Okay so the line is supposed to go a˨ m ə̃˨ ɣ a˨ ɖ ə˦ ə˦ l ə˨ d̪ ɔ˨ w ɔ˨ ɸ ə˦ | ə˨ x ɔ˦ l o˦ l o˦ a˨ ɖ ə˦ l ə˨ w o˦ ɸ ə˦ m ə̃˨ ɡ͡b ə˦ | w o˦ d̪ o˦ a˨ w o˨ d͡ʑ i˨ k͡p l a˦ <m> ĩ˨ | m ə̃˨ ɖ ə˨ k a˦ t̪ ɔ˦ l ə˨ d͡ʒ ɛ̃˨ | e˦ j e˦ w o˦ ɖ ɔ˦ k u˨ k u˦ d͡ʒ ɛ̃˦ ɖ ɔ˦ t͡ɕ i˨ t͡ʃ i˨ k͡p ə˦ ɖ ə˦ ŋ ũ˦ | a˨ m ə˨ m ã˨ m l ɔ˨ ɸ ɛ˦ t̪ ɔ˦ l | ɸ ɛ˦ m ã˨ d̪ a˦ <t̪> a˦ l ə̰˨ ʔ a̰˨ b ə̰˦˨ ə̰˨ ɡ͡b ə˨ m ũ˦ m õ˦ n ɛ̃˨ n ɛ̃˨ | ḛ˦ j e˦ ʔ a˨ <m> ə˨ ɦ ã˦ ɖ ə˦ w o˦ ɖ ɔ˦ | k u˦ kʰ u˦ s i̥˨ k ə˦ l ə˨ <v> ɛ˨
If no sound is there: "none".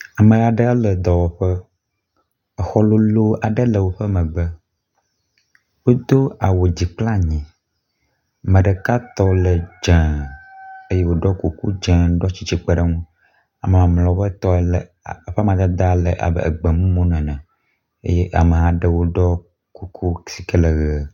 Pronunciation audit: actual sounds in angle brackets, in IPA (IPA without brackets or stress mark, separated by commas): ɲ, d̪, m, ɣ